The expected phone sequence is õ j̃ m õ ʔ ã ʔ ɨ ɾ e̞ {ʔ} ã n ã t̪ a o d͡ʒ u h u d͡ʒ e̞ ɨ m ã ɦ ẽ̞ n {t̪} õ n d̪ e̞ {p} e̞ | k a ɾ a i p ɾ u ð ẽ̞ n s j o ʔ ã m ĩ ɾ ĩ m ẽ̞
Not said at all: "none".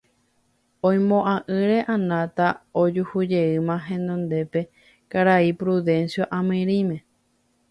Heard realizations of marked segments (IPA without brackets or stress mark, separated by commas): ʔ, d̪, p